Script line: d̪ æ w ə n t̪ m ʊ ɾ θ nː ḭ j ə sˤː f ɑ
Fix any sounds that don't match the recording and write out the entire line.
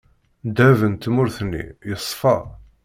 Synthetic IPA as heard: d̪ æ v ə n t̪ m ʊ ɾ θ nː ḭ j ə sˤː f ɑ